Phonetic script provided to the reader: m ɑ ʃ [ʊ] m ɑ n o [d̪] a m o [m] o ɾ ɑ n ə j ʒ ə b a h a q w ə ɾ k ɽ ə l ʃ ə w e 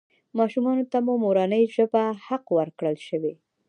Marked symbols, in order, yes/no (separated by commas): no, no, yes